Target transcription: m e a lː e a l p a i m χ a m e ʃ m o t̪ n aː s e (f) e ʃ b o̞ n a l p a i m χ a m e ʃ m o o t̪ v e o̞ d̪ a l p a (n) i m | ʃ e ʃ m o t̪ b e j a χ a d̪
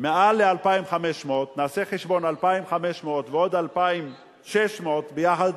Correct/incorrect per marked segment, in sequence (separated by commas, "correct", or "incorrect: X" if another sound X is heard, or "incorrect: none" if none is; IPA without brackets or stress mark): incorrect: χ, incorrect: none